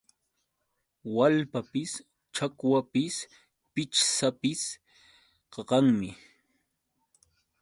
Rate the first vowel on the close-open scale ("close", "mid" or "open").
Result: open